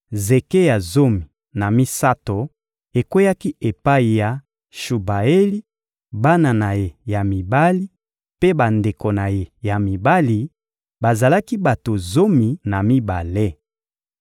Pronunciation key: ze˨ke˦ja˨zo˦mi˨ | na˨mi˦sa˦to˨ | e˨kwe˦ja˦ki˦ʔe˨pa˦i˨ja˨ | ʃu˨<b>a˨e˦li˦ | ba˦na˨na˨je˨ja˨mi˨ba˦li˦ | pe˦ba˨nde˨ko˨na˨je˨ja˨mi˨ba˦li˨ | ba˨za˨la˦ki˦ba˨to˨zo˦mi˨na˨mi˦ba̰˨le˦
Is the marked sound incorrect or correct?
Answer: correct